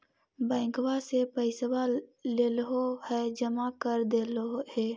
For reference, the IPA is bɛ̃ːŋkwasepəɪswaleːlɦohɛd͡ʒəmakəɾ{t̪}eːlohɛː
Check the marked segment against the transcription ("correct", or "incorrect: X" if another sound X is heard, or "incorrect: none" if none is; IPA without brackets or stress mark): incorrect: d̪